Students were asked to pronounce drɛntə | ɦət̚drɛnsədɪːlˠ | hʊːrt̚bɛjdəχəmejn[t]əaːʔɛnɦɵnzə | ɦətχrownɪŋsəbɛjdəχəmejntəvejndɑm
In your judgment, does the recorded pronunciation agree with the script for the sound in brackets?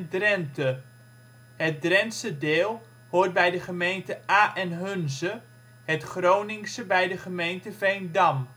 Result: yes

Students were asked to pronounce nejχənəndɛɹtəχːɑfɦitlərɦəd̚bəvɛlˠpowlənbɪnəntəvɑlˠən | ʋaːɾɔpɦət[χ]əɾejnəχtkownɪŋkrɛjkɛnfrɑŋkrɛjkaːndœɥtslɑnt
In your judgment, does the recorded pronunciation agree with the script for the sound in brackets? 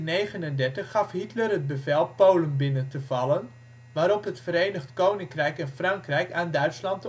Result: no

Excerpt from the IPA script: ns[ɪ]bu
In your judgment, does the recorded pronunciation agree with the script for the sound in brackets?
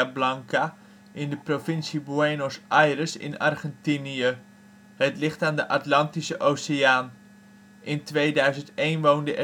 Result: no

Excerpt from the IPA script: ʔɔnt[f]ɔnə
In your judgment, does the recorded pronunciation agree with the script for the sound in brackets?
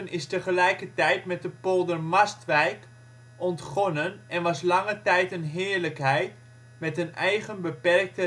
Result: no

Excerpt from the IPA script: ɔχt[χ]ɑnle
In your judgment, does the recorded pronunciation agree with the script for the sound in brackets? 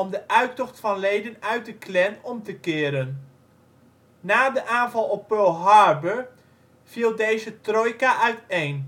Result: no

